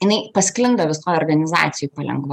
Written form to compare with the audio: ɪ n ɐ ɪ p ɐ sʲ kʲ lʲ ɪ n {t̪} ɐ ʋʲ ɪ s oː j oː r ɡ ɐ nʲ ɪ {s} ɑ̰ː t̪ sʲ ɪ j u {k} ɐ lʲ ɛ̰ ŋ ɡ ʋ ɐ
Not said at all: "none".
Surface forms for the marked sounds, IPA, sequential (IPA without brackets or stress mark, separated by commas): d̪, z, p